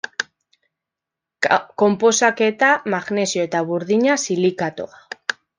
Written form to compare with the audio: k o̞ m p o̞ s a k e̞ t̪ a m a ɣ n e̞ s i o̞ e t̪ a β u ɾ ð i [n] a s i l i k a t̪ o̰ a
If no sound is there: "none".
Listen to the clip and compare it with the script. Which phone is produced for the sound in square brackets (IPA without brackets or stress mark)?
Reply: ɲ